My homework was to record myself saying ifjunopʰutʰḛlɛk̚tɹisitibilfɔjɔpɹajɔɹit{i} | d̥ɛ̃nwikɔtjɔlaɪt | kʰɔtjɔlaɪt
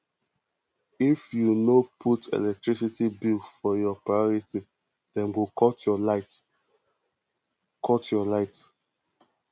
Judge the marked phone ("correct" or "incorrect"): correct